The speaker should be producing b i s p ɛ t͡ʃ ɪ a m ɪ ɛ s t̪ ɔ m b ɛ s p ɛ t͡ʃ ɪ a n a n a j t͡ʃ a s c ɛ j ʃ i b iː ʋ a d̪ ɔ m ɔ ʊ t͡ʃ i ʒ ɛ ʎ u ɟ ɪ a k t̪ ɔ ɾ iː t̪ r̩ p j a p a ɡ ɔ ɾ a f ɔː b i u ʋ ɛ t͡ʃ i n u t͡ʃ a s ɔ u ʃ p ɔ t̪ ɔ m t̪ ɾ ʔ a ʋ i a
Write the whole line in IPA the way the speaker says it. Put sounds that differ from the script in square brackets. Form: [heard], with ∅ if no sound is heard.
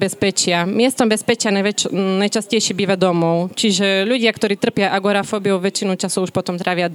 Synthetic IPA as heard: b [ɛ] s p ɛ t͡ʃ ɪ a m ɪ ɛ s t̪ ɔ m b ɛ s p ɛ t͡ʃ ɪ a n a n a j t͡ʃ a s c ɛ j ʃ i b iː ʋ a d̪ ɔ m ɔ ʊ t͡ʃ i ʒ ɛ ʎ u ɟ ɪ a k t̪ ɔ ɾ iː t̪ r̩ p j a [ʔ] a ɡ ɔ ɾ a f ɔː b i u ʋ ɛ t͡ʃ i n u t͡ʃ a s ɔ u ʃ p ɔ t̪ ɔ m t̪ ɾ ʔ a ʋ [ɪ] a